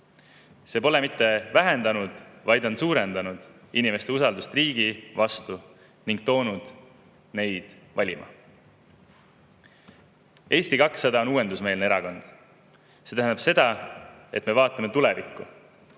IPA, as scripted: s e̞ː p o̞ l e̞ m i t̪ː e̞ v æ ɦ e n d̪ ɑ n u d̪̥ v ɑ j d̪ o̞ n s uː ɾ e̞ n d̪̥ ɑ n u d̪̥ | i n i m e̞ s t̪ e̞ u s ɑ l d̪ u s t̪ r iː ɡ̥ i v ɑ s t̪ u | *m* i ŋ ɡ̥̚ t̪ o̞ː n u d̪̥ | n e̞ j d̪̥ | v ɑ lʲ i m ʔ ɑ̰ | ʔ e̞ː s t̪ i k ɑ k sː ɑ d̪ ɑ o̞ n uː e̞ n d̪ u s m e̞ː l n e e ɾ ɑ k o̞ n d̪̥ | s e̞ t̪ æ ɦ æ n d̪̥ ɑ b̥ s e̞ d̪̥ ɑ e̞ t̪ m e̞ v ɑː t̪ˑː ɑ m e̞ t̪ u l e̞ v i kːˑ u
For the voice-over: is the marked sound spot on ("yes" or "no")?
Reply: no